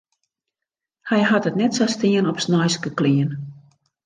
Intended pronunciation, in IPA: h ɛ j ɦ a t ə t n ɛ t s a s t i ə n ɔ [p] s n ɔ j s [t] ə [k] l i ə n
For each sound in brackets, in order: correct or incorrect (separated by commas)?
correct, incorrect, correct